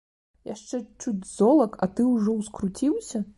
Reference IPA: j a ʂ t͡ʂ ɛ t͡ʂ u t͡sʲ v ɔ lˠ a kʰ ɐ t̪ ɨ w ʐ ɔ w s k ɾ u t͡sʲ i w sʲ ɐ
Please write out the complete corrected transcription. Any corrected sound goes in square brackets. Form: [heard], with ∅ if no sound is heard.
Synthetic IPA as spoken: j a ʂ t͡ʂ ɛ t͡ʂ u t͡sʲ [z] ɔ lˠ [ɐ] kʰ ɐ t̪ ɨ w ʐ ɔ w s k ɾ u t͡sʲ i w sʲ ɐ